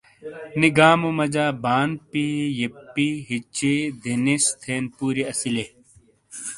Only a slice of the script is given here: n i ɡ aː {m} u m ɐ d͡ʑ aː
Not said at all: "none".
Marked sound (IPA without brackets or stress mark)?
m